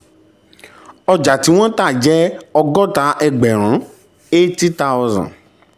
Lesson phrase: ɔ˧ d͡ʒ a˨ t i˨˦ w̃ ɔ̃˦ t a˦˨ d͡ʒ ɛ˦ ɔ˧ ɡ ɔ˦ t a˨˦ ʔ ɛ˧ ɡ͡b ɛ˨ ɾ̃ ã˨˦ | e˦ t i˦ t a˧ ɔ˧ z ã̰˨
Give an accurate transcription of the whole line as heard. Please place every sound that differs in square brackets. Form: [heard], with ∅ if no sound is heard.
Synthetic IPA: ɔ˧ d͡ʒ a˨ t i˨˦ w̃ ɔ̃˦ t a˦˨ d͡ʒ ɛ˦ ɔ˧ ɡ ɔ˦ t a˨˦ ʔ ɛ˧ ɡ͡b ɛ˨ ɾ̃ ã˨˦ | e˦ t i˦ t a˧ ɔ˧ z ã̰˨